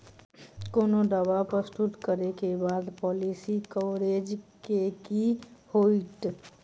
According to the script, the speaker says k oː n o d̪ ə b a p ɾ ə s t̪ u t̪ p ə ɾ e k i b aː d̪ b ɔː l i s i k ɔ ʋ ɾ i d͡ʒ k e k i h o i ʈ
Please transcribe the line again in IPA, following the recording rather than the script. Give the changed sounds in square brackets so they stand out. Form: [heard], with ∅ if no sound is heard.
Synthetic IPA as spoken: k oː n o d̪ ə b a p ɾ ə s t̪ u t̪ [k] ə ɾ e k [e] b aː d̪ [p] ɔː l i s i k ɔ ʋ ɾ [e] d͡ʒ k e k i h o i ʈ